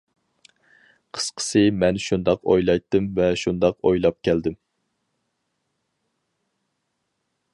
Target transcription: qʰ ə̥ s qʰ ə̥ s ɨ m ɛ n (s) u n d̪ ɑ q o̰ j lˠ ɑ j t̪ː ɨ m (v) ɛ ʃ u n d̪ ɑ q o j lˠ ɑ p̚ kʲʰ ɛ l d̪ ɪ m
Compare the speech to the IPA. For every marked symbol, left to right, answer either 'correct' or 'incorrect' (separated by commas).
incorrect, correct